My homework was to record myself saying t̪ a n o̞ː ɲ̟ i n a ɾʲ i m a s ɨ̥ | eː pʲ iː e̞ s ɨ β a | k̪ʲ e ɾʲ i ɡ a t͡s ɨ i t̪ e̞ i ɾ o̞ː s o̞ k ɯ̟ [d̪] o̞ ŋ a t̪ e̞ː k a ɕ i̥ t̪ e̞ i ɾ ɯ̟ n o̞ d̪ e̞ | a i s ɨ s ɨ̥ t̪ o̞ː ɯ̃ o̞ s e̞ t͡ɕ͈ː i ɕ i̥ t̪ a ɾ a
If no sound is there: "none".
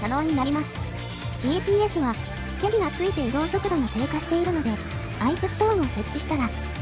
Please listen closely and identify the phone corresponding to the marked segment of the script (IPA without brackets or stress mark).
d̪